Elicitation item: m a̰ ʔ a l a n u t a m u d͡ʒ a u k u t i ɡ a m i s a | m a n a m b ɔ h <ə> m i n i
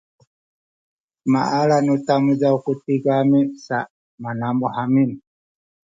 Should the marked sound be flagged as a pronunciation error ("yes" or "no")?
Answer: yes